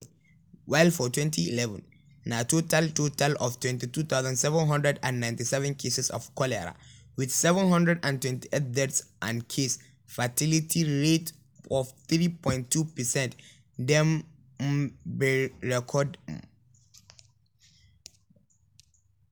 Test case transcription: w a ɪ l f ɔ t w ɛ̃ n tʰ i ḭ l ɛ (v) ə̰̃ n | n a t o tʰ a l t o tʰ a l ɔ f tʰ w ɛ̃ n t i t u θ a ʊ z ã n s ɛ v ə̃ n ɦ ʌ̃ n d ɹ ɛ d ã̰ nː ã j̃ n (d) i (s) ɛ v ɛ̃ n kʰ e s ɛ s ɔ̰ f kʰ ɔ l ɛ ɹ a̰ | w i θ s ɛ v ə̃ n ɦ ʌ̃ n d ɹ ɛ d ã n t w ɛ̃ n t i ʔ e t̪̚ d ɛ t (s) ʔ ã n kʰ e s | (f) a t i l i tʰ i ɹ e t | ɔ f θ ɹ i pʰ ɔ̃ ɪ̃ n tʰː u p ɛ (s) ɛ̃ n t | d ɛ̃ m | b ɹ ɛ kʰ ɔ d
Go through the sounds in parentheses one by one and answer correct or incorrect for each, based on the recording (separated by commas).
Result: correct, incorrect, correct, correct, correct, correct